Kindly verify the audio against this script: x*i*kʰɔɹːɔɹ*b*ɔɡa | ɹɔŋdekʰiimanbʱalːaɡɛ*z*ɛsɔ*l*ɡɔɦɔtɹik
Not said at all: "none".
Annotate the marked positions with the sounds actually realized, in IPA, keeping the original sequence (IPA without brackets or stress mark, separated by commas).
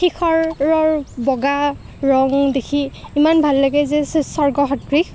i, b, z, ɹ